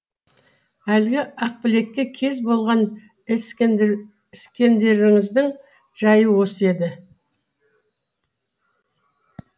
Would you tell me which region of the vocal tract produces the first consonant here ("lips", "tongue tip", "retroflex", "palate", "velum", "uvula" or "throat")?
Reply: tongue tip